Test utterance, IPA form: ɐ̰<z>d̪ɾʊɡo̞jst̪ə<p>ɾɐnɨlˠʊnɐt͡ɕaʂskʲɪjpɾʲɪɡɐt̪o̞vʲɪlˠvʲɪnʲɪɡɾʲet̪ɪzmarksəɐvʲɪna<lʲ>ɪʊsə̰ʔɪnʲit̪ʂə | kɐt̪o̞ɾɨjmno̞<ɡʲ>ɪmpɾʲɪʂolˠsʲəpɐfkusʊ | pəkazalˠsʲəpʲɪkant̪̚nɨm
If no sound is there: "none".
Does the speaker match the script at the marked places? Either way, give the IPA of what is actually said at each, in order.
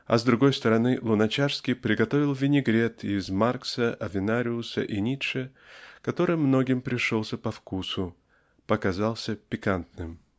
z, none, ɾʲ, ɡʲ

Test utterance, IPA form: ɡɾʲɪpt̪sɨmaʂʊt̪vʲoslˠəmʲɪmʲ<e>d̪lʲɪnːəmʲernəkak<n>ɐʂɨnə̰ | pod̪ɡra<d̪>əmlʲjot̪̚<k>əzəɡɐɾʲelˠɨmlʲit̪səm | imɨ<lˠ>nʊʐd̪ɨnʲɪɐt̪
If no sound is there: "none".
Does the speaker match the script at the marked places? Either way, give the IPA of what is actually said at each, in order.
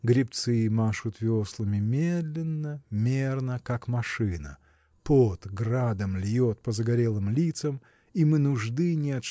e, m, d̪, p, none

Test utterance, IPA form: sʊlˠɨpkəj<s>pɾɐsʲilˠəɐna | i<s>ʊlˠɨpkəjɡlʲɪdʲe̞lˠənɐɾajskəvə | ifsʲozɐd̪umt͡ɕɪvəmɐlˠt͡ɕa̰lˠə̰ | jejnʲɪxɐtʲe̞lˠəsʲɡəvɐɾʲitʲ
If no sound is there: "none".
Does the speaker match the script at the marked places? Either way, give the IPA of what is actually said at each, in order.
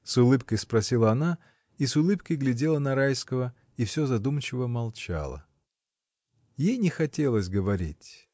s, s

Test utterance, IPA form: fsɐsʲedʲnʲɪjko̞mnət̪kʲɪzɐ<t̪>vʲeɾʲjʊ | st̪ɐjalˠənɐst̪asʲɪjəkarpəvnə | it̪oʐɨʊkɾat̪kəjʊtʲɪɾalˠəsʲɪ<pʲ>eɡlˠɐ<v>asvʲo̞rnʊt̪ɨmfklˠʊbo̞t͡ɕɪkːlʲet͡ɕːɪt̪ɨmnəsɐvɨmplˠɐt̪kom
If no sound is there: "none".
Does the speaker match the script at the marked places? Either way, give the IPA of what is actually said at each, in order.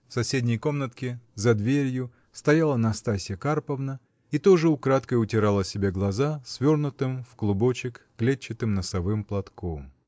d̪, bʲ, z

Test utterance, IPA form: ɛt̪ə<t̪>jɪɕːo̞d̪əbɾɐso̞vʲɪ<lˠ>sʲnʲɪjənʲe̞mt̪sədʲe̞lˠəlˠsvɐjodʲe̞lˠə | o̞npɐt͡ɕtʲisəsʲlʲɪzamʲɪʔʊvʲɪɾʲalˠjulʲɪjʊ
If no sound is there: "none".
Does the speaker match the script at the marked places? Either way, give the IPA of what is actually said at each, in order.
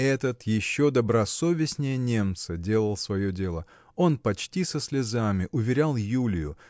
t̪, none

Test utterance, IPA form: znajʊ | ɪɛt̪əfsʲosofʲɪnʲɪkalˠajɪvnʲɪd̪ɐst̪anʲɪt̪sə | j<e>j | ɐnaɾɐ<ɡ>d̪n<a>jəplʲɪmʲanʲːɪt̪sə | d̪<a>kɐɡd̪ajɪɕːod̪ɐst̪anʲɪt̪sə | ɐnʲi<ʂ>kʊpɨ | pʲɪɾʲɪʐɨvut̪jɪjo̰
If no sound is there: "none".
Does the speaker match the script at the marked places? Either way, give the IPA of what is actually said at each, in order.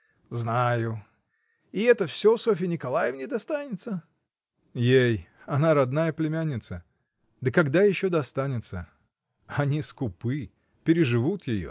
e, none, a, ə, s

